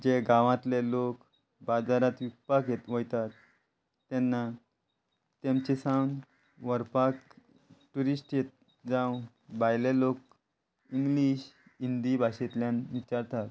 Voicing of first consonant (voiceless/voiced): voiced